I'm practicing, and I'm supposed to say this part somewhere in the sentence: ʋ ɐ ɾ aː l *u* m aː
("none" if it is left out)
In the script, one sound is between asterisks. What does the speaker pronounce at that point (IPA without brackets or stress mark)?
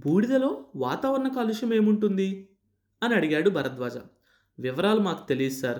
u